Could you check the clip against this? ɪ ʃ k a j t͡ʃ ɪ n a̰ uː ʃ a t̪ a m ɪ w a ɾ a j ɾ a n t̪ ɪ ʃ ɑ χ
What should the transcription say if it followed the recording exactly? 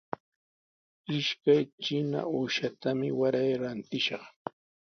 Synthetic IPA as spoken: ɪ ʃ k a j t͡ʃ ɪ n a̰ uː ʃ a t̪ a m ɪ w a ɾ a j ɾ a n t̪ ɪ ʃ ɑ χ